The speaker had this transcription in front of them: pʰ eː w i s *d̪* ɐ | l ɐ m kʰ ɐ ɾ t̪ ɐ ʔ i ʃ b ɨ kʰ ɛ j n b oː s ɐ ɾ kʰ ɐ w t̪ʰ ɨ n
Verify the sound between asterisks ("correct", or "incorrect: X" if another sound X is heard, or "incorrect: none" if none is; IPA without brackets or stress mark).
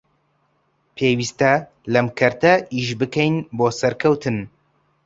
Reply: incorrect: t̪